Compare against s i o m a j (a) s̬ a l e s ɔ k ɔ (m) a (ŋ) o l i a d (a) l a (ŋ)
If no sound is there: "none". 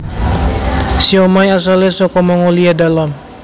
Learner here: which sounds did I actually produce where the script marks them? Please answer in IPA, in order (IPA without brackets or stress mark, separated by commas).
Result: a, m, ŋ, a, m